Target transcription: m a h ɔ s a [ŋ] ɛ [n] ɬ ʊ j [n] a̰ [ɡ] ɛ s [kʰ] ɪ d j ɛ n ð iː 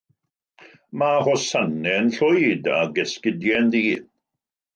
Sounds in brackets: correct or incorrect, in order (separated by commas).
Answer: incorrect, correct, incorrect, correct, incorrect